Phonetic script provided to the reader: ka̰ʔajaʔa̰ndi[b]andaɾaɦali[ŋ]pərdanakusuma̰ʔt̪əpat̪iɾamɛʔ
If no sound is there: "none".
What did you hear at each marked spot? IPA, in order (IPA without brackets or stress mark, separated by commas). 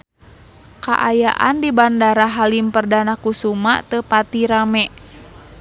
b, m